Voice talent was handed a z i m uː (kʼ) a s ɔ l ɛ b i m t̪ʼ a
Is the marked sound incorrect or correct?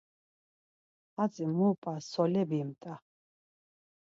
incorrect